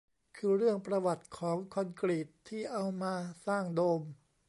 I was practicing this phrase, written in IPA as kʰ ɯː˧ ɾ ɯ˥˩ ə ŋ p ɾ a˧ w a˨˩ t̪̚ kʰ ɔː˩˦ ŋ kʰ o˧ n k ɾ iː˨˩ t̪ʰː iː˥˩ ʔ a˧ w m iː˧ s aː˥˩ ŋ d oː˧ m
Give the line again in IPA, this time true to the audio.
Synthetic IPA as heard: kʰ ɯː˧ ɾ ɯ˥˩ ə ŋ p ɾ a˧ w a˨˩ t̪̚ kʰ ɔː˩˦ ŋ kʰ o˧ n k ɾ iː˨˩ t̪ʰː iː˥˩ ʔ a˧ w m aː˧ s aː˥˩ ŋ d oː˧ m